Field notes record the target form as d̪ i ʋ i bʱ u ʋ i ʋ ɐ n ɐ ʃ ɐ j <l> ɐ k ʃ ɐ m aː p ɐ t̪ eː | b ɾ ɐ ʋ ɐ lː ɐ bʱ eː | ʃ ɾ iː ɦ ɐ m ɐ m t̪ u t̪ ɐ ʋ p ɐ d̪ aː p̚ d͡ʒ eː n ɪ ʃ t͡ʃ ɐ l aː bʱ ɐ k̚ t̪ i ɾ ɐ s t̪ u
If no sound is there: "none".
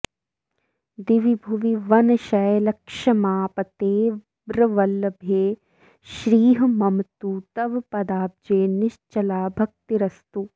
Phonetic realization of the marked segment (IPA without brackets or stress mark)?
l